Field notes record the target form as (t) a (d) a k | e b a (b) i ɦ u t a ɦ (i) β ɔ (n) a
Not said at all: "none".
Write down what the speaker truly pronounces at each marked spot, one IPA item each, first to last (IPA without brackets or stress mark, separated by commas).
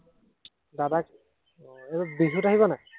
d, d, b, i, n